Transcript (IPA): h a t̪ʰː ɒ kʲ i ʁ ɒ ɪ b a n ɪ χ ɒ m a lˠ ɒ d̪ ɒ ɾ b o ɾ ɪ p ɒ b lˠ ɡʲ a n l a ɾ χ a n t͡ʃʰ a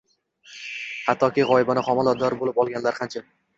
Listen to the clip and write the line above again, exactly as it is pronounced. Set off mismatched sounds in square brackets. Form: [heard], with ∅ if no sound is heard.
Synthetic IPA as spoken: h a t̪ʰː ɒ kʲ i ʁ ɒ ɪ b a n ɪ χ ɒ m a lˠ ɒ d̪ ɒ ɾ b o [l] ɪ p ɒ [∅] lˠ ɡʲ a n l a ɾ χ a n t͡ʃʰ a